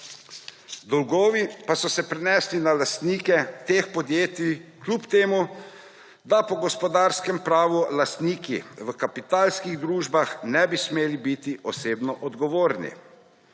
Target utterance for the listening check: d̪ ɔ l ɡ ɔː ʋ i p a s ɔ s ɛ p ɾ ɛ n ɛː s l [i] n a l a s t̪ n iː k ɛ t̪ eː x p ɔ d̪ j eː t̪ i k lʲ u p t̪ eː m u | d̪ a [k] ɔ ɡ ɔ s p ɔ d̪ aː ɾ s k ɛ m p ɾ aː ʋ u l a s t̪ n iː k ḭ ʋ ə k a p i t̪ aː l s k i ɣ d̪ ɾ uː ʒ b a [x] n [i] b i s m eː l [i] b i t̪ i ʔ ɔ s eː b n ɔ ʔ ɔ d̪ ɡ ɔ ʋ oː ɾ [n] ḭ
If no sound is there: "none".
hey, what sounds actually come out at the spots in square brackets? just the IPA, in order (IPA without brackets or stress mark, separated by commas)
i, p, x, ɛ, i, n